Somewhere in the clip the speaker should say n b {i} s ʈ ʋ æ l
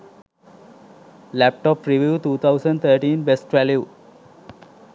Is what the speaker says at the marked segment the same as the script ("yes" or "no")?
no